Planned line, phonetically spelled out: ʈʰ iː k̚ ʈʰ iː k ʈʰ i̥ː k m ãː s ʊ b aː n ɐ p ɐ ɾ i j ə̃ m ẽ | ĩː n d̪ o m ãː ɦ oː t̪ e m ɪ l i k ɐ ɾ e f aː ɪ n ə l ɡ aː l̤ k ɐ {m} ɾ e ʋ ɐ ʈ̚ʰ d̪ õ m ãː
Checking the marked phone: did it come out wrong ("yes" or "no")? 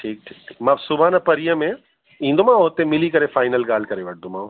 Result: yes